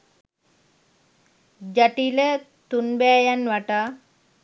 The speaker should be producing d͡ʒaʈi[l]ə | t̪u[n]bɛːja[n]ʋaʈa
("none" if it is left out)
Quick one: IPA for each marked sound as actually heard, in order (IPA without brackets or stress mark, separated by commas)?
l, n, n